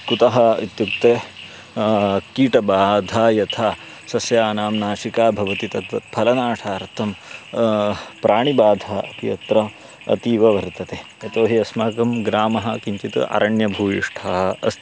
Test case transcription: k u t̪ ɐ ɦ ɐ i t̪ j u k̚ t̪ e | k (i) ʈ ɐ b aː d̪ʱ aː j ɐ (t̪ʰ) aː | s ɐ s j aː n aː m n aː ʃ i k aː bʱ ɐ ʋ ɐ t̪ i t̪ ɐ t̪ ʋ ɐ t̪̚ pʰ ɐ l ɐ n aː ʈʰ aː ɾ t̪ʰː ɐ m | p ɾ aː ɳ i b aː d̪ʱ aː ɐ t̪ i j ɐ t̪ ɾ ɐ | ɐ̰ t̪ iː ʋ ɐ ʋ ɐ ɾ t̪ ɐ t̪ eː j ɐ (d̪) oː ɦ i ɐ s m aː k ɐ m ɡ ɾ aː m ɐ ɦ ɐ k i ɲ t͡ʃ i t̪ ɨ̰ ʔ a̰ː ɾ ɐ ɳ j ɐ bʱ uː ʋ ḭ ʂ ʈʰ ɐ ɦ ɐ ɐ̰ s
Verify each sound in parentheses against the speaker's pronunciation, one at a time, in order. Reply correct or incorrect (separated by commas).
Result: incorrect, correct, incorrect